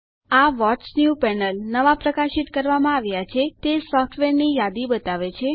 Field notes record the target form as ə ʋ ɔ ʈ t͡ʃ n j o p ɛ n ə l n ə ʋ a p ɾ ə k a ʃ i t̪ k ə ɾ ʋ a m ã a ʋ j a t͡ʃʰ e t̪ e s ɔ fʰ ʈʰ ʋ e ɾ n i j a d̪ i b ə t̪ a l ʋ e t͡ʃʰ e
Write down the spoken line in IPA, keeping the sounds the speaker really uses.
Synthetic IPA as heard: a ʋ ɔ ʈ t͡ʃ n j u p ɛ n ə l n ə ʋ a p ɾ ə k a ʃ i t̪ k ə ɾ ʋ a m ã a ʋ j a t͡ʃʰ e t̪ e s ɔ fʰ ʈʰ ʋ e ɾ n i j a d̪ i b ə t̪ a ʋ e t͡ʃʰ e